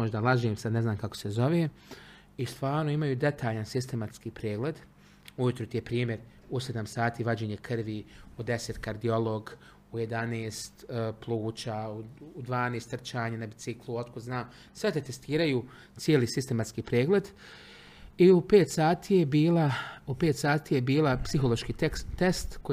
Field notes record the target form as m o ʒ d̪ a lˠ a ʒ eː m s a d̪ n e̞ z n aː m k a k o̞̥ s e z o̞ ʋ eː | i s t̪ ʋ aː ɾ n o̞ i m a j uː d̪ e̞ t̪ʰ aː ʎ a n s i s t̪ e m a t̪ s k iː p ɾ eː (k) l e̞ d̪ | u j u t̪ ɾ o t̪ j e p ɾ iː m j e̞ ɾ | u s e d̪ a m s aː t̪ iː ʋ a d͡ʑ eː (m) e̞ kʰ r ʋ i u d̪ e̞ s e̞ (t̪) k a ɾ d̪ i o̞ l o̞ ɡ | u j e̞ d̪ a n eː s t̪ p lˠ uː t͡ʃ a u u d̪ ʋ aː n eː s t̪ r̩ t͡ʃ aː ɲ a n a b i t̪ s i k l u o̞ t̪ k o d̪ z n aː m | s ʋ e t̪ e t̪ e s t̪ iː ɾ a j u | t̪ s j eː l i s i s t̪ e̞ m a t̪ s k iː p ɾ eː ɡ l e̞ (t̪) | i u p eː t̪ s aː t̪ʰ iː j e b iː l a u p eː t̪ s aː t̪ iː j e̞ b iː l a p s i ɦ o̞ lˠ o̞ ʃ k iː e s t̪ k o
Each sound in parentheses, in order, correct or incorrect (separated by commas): incorrect, incorrect, correct, incorrect